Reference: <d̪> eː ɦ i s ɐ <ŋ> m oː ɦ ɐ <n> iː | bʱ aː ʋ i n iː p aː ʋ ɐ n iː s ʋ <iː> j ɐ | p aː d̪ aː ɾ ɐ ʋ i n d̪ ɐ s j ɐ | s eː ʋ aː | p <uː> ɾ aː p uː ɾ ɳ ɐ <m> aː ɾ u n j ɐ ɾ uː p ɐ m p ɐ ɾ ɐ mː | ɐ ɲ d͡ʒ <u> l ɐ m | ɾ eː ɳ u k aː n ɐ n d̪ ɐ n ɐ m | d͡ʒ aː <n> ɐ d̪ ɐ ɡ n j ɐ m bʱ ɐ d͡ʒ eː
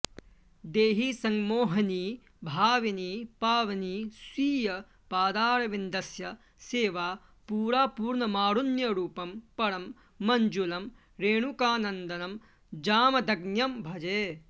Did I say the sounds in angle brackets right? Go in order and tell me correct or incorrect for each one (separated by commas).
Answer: correct, correct, correct, correct, correct, correct, correct, incorrect